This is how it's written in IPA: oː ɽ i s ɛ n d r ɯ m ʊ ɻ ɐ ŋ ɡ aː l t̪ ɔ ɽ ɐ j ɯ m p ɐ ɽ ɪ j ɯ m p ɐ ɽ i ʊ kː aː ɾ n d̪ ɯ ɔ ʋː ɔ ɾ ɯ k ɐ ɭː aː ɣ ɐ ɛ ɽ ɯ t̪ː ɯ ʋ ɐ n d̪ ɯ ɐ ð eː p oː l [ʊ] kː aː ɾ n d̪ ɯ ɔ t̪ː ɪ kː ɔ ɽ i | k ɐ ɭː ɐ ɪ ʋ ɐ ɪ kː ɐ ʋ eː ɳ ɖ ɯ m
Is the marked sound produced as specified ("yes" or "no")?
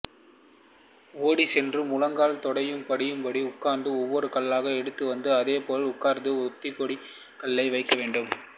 yes